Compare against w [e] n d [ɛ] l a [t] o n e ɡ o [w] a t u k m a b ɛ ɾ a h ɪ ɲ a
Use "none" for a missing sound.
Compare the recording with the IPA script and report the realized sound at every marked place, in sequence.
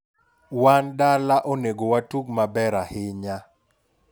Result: a, a, ʔ, w

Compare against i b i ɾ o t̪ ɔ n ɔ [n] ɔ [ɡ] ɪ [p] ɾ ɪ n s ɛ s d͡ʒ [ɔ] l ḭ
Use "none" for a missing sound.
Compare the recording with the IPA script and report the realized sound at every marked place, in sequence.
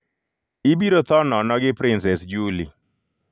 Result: n, ɡ, p, u

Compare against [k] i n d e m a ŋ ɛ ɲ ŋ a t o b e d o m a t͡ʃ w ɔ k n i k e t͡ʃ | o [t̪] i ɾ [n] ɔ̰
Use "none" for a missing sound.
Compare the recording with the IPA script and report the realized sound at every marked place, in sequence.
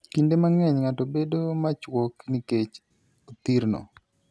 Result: k, t̪, n

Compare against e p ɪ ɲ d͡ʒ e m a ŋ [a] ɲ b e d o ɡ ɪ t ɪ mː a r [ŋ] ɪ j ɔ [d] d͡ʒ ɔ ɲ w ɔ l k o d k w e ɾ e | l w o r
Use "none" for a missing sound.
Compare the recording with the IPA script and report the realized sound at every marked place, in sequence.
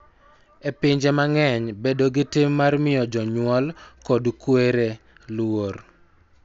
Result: ɛ, m, none

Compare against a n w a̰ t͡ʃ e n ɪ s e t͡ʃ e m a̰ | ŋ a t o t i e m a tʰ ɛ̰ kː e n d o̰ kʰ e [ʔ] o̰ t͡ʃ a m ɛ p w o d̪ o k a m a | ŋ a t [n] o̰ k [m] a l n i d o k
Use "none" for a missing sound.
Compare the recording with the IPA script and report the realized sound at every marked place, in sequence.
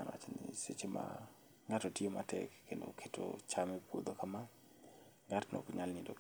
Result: t, n, ɲ

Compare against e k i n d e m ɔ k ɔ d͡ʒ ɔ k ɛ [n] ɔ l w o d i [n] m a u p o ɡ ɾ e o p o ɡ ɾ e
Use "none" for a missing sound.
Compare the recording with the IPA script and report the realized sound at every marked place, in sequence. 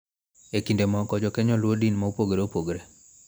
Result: ɲ, n

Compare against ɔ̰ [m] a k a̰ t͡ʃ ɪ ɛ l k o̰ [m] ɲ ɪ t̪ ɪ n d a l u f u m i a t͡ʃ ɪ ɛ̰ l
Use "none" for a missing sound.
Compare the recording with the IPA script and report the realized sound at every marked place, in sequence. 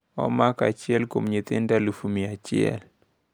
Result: m, m

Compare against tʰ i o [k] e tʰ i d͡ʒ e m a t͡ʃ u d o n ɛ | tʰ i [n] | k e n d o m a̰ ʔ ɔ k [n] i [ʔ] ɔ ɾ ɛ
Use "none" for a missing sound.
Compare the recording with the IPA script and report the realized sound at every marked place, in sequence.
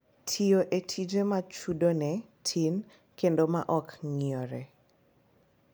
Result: ʔ, n, ŋ, none

